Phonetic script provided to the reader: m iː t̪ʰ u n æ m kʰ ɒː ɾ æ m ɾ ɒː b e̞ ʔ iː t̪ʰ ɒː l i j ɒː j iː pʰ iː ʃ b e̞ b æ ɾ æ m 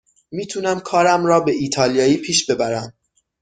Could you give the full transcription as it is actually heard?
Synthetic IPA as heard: m iː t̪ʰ u n æ m kʰ ɒː ɾ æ m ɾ ɒː b e̞ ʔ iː t̪ʰ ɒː l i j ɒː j iː pʰ iː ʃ b e̞ b æ ɾ æ m